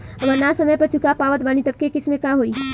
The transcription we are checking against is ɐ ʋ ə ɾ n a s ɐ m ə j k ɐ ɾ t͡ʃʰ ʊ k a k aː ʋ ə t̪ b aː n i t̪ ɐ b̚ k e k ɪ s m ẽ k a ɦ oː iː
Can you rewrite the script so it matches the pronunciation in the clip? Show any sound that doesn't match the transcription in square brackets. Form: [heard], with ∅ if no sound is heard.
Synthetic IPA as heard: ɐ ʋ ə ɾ n a s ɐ m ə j [p] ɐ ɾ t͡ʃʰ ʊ k a [p] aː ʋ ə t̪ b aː n i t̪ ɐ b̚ k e k ɪ s m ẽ k a ɦ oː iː